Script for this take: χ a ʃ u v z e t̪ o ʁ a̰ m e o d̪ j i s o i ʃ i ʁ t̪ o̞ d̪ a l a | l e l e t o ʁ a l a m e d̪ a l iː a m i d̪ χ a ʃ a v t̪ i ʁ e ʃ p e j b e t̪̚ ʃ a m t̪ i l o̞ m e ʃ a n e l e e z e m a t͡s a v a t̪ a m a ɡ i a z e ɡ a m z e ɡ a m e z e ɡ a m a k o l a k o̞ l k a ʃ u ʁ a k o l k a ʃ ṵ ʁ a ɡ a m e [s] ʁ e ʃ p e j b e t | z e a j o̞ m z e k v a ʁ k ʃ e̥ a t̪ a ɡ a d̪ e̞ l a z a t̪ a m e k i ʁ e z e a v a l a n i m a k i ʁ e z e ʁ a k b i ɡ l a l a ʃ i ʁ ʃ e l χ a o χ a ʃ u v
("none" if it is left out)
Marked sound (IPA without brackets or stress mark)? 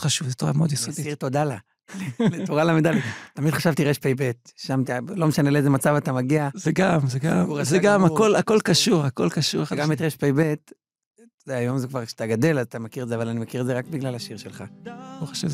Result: t